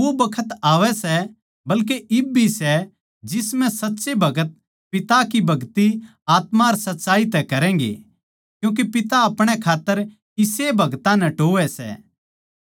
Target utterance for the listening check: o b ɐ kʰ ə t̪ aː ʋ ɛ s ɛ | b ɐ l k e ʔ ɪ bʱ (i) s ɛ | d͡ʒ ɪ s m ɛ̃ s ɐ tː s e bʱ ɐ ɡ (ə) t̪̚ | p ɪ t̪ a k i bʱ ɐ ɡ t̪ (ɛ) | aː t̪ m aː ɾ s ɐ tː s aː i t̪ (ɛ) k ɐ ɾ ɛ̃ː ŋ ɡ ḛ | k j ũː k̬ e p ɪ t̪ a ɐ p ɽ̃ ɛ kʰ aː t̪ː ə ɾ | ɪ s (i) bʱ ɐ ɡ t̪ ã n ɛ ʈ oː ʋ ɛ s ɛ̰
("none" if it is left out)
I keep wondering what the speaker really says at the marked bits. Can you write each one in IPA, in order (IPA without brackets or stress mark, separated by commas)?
i, ə, i, ɛ, e